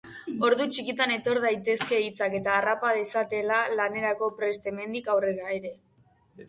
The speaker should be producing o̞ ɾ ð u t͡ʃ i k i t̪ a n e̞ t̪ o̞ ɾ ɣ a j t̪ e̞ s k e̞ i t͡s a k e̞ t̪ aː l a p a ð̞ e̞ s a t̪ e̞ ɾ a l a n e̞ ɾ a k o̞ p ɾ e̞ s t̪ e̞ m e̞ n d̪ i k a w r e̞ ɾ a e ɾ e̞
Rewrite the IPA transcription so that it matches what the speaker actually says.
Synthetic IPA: o̞ ɾ ð u t͡ʃ i k i t̪ a n e̞ t̪ o̞ ɾ ð a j t̪ e̞ s k e̞ i t͡s a k e̞ t̪ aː r a p a ð̞ e̞ s a t̪ e̞ l a l a n e̞ ɾ a k o̞ p ɾ e̞ s t̪ e̞ m e̞ n d̪ i k a w r e̞ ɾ a e ɾ e̞